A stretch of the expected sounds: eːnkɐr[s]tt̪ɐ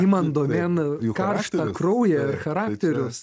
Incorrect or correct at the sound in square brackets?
incorrect: ʃ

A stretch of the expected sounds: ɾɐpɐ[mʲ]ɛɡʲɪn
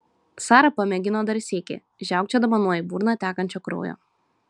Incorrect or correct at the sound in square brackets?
correct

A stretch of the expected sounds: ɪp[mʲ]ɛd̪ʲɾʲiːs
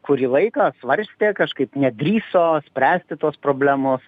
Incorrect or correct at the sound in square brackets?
incorrect: nʲ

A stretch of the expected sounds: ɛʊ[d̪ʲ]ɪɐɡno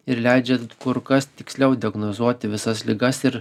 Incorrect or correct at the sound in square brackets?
correct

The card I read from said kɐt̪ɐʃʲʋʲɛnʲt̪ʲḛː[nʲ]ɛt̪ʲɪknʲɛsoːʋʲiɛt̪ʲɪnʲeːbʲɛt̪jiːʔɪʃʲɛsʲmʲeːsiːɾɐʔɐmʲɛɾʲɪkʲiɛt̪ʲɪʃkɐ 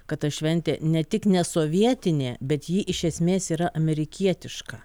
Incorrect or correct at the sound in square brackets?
correct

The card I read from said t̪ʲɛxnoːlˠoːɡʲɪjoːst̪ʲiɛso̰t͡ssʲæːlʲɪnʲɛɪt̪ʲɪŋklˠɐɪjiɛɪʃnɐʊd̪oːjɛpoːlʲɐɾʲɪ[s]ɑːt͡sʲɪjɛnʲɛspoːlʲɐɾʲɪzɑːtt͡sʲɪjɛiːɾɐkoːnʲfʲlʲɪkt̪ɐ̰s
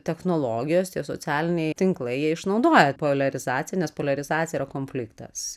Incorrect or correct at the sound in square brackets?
incorrect: z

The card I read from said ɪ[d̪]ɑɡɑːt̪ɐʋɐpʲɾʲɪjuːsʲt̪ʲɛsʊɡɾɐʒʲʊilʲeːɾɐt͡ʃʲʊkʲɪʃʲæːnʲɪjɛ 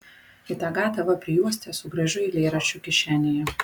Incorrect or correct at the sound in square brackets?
incorrect: t̪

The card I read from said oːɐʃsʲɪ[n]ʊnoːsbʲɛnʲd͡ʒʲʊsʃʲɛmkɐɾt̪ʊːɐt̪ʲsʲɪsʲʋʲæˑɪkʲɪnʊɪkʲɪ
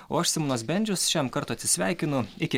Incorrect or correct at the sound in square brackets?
incorrect: m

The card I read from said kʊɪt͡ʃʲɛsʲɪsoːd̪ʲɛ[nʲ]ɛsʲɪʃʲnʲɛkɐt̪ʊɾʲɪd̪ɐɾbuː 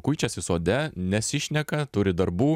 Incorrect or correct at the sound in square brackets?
correct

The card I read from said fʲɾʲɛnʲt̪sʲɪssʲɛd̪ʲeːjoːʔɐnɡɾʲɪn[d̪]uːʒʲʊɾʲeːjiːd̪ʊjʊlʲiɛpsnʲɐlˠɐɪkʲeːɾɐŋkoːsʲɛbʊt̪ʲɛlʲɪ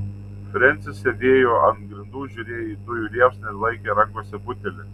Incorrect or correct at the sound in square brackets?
correct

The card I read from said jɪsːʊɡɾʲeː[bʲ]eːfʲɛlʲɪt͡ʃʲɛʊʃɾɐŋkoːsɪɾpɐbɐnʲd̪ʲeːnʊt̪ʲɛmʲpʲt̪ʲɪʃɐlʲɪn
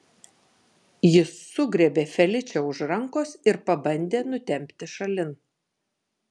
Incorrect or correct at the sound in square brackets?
correct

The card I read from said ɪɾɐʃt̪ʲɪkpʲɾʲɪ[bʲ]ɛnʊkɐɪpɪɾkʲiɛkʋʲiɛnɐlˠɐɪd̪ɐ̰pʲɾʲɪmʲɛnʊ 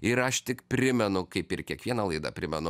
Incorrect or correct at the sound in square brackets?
incorrect: mʲ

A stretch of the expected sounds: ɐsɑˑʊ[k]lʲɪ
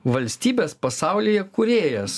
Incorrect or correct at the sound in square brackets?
incorrect: none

